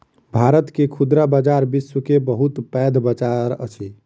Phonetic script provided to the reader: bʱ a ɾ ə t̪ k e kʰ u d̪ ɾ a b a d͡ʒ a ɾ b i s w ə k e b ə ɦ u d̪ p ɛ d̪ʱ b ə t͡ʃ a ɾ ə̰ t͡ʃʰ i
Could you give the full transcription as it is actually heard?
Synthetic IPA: bʱ a ɾ ə t̪ k e kʰ u d̪ ɾ a b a d͡ʒ a ɾ b i s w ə k e b ə ɦ u t̪ p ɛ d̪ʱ b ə t͡ʃ a ɾ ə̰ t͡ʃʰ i